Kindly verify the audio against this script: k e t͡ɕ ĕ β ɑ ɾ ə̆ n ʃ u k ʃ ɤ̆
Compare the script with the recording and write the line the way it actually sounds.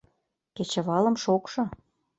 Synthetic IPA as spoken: k e t͡ɕ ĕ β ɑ l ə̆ m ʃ o k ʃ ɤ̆

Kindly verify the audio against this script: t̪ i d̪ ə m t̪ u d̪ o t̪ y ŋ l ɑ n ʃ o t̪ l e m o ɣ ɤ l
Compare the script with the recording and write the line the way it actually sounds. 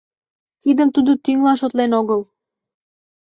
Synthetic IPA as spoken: t̪ i d̪ ə m t̪ u d̪ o t̪ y ŋ l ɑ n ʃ o t̪ l e n o ɣ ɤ l

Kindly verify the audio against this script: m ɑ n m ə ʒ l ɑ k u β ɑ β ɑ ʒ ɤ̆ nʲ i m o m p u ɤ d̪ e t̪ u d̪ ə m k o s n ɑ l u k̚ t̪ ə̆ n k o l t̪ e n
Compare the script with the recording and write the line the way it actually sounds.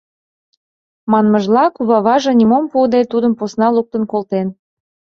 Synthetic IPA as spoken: m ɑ n m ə ʒ l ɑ k u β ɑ β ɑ ʒ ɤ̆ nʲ i m o m p u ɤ d̪ e t̪ u d̪ ə m p o s n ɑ l u k̚ t̪ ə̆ n k o l t̪ e n

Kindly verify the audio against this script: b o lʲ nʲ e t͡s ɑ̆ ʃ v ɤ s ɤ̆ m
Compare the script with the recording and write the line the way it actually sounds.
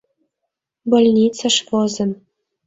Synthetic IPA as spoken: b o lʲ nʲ i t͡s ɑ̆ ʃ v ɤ z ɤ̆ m

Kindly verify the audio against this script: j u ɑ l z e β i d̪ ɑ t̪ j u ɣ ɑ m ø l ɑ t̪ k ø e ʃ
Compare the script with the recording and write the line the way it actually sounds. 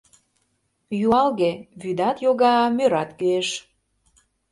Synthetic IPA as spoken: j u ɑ l ɣ e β y d̪ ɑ t̪ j o ɣ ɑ m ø ɾ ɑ t̪ k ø e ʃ

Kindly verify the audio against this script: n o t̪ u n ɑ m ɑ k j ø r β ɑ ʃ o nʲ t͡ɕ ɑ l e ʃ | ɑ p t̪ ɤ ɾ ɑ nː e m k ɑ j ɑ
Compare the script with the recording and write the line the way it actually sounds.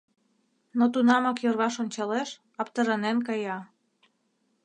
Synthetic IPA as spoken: n o t̪ u n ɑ m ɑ k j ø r β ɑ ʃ o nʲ t͡ɕ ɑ l e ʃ | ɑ p t̪ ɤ ɾ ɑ n e n k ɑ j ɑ

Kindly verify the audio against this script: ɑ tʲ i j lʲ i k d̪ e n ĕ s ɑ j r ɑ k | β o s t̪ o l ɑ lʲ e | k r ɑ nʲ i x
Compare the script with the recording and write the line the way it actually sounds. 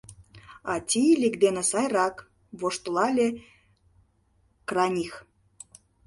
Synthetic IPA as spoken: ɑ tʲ i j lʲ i k d̪ e n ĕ s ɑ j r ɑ k | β o ʃ t̪ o l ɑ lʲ e | k r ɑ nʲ i x

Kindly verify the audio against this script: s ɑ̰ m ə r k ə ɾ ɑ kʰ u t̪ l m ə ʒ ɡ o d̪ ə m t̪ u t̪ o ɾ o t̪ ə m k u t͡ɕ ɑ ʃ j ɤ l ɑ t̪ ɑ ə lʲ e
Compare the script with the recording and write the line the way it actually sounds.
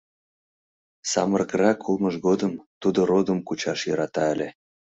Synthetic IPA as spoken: s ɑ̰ m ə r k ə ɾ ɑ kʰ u l m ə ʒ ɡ o d̪ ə m t̪ u d̪ o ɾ o d̪ ə m k u t͡ɕ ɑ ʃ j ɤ ɾ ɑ t̪ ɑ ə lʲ e

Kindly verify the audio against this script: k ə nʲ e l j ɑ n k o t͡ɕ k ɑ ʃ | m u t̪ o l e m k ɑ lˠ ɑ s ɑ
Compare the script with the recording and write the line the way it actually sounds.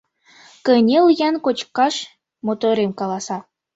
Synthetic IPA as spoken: k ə nʲ e l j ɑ n k o t͡ɕ k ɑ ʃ | m o t̪ o ɾ e m k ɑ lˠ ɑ s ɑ

